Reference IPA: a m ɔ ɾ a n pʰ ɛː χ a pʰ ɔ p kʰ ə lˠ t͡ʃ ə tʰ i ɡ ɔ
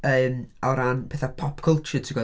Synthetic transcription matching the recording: ə m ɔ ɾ a n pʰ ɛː θ a pʰ ɔ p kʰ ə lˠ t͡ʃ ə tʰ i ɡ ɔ